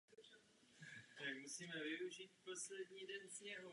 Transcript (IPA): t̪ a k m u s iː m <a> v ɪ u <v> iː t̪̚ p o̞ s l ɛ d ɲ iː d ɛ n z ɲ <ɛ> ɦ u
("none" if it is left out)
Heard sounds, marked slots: ɛ, ʒ, ɛ

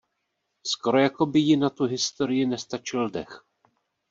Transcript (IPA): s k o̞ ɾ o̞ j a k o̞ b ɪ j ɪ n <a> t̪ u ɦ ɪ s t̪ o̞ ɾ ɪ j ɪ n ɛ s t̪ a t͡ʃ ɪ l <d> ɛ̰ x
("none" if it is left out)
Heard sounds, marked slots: a, d

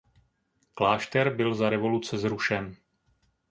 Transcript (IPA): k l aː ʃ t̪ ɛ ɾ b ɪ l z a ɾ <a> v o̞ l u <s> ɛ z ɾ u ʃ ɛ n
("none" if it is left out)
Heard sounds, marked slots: ɛ, t͡s

